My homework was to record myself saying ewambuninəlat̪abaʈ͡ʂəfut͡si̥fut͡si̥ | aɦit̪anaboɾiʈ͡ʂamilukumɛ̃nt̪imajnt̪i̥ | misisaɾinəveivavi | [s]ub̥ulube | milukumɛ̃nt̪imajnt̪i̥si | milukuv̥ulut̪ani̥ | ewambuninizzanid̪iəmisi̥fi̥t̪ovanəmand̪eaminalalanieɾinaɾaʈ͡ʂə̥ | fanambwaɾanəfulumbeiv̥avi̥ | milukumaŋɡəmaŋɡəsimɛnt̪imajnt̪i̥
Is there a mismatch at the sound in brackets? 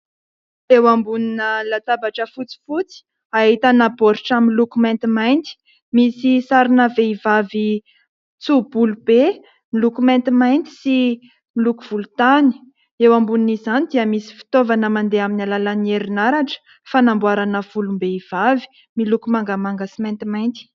yes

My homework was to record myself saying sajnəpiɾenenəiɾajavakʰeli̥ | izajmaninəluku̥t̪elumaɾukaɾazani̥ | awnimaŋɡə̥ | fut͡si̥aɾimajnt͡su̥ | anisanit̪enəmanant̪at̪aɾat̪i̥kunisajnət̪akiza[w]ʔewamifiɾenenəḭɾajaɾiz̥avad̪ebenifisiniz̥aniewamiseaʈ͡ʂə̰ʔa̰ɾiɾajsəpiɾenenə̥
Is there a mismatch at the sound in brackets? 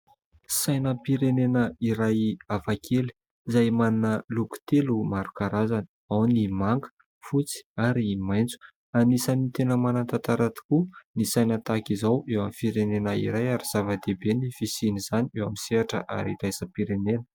no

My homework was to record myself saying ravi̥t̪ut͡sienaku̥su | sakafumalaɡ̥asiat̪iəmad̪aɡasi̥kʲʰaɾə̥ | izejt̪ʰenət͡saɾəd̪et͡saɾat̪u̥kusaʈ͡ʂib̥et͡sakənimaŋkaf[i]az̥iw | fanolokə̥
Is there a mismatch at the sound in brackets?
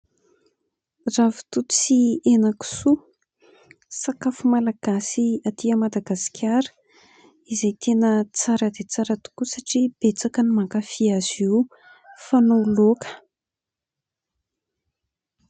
no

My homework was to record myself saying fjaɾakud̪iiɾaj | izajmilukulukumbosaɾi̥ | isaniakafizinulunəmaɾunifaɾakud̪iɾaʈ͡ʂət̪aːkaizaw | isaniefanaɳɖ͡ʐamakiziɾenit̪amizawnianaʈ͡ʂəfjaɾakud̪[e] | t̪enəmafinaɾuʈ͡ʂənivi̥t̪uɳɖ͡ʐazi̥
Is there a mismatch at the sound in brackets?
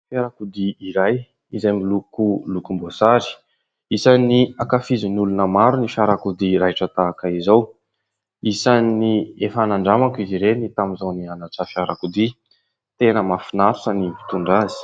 yes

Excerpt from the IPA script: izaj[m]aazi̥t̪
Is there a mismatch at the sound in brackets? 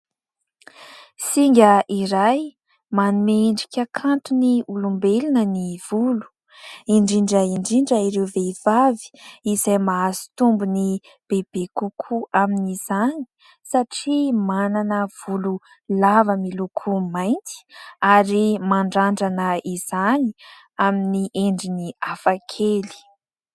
no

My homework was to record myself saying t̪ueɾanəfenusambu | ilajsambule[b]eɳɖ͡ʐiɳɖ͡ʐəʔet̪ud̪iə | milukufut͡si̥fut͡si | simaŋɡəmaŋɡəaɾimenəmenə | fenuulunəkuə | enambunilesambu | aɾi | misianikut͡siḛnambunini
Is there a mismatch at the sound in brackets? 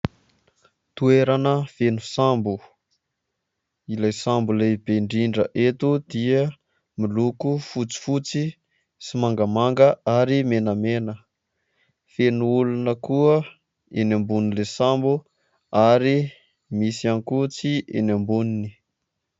no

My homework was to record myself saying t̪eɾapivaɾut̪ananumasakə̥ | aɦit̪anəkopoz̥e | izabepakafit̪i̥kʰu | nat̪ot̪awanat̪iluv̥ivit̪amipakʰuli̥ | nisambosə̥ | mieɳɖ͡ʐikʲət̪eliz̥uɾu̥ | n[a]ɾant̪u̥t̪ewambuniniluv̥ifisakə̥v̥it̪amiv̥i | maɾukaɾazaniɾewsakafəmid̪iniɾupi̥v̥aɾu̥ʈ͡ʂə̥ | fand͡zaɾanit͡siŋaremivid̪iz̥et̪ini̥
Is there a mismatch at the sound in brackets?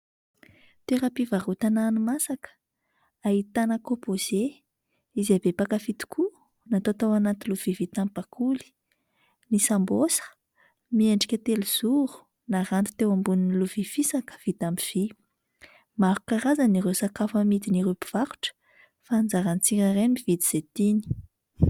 no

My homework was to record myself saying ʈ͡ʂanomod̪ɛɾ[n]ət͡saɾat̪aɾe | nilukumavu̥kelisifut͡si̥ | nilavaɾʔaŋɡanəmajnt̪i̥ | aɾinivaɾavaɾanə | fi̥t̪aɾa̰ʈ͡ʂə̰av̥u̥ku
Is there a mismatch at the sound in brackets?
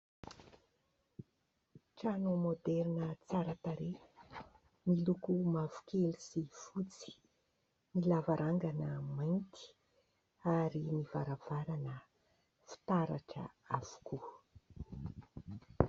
no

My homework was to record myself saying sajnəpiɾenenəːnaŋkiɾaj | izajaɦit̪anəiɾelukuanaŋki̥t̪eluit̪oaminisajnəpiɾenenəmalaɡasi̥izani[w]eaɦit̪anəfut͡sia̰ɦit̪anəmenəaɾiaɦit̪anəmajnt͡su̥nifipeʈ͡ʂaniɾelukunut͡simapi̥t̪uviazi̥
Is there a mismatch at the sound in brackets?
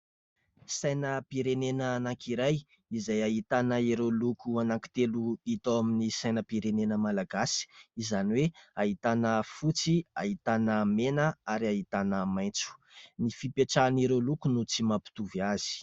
no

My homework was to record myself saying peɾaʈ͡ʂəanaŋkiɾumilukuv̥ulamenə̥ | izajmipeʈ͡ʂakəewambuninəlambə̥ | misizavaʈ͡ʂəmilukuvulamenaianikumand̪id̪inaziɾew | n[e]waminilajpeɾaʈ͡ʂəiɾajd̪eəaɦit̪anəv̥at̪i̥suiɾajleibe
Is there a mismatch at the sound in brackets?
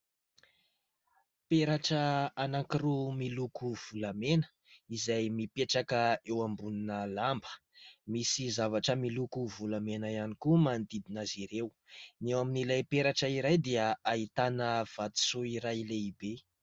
no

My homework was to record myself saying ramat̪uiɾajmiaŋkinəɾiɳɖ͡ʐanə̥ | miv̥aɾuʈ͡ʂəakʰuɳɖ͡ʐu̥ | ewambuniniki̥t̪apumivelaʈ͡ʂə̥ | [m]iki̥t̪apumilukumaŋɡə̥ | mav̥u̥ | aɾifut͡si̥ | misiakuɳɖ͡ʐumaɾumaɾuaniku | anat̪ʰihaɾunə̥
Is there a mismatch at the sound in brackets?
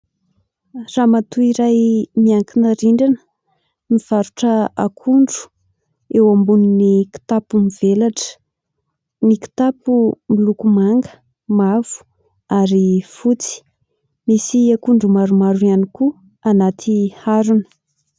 yes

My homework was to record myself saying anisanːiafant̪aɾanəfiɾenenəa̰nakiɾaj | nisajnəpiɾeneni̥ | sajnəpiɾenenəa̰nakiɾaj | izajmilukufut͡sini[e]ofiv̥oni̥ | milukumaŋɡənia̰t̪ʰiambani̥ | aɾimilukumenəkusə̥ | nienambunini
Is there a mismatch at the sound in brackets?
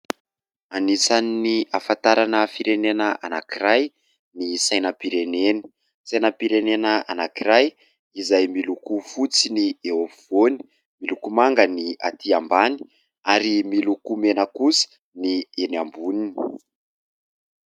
no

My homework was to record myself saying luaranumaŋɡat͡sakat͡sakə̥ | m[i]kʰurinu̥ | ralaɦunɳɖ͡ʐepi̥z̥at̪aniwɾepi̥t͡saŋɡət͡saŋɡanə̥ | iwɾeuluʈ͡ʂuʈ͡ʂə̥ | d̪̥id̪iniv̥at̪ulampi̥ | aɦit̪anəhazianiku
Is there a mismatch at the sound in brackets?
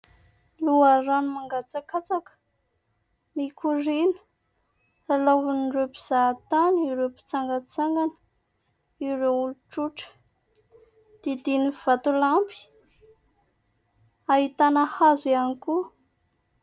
no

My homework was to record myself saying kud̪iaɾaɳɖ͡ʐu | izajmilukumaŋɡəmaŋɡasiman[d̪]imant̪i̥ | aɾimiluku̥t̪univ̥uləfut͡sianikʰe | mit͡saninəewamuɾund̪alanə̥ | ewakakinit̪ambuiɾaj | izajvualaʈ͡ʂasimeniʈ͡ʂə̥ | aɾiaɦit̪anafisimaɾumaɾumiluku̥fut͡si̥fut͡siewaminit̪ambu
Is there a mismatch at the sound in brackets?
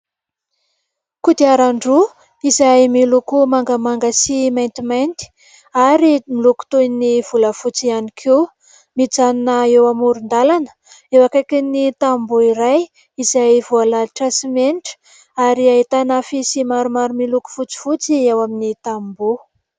yes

